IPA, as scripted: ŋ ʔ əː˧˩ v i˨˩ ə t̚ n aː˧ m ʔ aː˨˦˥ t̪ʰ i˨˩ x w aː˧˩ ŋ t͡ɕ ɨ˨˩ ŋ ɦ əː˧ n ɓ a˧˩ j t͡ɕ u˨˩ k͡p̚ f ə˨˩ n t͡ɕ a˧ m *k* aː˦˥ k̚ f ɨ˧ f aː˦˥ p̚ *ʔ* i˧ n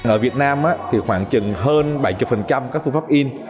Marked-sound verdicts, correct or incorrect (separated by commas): correct, correct